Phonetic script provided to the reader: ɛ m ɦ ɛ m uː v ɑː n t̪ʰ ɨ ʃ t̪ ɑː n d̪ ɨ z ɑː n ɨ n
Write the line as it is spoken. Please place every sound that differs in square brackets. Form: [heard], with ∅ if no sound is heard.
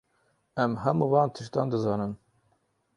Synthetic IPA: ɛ m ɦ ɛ m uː v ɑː n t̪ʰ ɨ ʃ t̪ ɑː n d̪ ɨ z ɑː n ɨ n